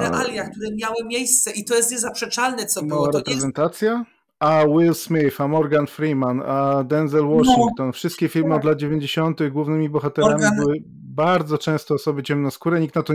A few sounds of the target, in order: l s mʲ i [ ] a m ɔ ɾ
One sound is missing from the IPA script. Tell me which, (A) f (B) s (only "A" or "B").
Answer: A